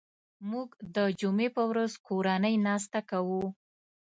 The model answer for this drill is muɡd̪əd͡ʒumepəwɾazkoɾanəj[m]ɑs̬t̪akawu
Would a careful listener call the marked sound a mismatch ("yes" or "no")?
yes